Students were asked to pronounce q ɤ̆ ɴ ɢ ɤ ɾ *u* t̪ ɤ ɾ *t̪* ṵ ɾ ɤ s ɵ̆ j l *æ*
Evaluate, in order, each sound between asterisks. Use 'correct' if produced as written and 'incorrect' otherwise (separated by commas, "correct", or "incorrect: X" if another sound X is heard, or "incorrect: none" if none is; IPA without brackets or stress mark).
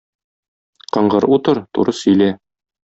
correct, correct, correct